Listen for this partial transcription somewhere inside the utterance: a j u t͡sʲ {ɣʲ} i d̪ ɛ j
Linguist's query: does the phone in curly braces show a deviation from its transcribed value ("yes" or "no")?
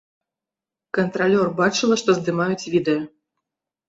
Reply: yes